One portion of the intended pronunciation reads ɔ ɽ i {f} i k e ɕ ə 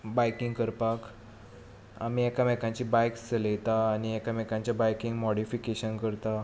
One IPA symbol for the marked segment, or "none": f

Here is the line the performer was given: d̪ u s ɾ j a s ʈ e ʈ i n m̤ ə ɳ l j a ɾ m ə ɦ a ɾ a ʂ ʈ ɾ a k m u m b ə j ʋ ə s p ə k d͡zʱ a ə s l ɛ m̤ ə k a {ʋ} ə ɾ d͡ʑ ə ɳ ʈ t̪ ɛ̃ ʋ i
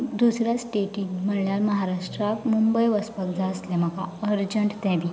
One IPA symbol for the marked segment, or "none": none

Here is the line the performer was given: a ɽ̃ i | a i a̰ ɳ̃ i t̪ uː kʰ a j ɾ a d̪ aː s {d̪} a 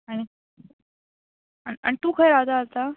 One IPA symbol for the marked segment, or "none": t̪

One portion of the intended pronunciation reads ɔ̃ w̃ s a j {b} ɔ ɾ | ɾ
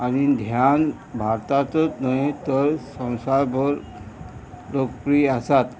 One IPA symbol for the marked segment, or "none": b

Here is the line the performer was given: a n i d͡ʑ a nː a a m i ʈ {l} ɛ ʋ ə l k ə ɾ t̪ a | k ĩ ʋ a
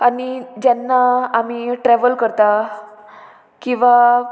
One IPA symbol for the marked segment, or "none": ɾ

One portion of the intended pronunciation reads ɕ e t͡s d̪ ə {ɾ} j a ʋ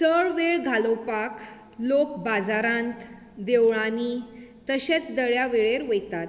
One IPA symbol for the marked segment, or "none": ɭ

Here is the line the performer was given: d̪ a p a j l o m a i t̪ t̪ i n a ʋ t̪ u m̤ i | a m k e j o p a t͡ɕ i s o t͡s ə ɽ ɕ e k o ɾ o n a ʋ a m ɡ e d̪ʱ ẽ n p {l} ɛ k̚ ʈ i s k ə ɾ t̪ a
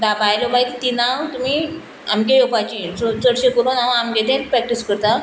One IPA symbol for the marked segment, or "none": ɾ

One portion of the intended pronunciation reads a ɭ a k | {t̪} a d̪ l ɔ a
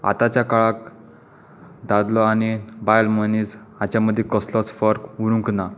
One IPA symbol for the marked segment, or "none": d̪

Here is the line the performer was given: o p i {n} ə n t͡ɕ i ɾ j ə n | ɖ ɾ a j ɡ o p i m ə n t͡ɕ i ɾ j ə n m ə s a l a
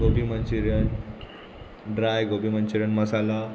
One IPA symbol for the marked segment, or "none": m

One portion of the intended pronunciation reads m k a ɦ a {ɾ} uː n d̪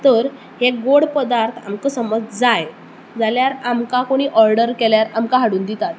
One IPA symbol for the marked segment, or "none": ɽ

